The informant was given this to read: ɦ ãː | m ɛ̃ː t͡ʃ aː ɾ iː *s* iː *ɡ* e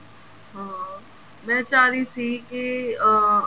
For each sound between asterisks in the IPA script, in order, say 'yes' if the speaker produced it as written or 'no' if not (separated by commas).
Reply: yes, no